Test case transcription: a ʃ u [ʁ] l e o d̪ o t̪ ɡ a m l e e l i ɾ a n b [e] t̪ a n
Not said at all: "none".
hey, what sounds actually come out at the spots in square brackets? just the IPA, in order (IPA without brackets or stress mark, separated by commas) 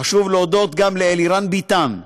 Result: v, i